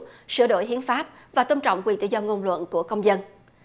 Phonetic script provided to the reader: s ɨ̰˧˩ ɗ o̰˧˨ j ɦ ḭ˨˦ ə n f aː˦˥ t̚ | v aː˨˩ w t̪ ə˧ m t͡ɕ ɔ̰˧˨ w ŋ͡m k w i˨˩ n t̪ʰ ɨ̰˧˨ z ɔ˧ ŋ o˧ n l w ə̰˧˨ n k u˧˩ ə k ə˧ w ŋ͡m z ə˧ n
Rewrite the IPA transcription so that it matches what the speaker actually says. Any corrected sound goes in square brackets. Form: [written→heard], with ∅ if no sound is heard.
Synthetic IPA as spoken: s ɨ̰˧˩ ɗ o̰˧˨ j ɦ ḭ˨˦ ə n f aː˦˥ [t̚→p̚] | v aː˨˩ [w→∅] t̪ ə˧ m t͡ɕ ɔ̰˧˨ w ŋ͡m k w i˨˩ n [t̪ʰ→t̪] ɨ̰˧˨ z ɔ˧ ŋ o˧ n l w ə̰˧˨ n k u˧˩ ə k ə˧ w ŋ͡m z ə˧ n